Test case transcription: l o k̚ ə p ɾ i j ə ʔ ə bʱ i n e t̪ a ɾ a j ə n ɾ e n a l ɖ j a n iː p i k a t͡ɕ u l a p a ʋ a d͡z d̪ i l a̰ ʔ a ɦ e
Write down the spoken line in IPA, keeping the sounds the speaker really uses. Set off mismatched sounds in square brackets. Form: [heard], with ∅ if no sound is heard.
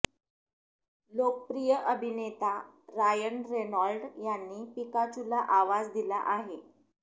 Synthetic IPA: l o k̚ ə p ɾ i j ə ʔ ə bʱ i n e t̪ a ɾ a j ə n ɾ e n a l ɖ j a [nː] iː p i k a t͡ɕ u l a [ʔ] a ʋ a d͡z d̪ i l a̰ ʔ a ɦ e